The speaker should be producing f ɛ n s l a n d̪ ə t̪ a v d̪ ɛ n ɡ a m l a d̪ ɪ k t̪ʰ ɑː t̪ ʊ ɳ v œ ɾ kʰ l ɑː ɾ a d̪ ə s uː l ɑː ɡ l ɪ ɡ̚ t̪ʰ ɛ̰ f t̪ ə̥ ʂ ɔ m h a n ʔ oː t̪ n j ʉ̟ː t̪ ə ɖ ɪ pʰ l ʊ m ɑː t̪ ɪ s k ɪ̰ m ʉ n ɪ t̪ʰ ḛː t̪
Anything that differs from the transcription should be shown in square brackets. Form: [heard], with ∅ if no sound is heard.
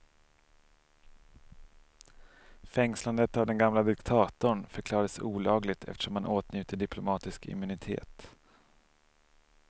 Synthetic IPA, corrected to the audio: f ɛ [ŋ] s l a n d̪ ə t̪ a v d̪ ɛ n ɡ a m l a d̪ ɪ k t̪ʰ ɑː t̪ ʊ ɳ [f] œ ɾ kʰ l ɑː ɾ a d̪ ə s uː l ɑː ɡ l ɪ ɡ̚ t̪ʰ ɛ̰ f t̪ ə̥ ʂ ɔ m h a n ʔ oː t̪ n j ʉ̟ː t̪ ə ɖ ɪ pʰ l ʊ m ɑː t̪ ɪ s k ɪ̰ m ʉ n ɪ t̪ʰ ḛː t̪